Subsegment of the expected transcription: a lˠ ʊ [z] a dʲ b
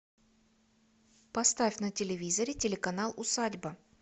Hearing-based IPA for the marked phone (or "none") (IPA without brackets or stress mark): s